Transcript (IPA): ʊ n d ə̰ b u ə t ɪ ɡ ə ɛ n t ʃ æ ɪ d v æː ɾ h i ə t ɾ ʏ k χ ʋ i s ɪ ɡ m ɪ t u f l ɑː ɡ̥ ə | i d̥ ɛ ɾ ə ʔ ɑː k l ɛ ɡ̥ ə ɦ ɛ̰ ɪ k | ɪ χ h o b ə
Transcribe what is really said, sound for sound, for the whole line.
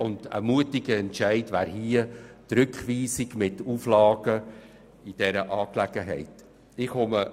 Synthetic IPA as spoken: ʊ n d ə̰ m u ə t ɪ ɡ ə ɛ n t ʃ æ ɪ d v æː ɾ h i ə t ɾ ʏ k χ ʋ iː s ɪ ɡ m ɪ t u f l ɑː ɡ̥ ə | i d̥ ɛ ɾ ə ʔ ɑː k l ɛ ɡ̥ ə ɦ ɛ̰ ɪ t | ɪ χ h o m ə